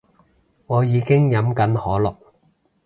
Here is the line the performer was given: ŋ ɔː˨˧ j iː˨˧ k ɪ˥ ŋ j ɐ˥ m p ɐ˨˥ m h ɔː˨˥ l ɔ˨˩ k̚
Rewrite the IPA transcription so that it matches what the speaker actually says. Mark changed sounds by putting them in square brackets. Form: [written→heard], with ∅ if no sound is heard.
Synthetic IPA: ŋ ɔː˨˧ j iː˨˧ k ɪ˥ ŋ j [ɐ˥→ɐ˨˥] m [p→k] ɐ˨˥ [m→n] h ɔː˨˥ l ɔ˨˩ k̚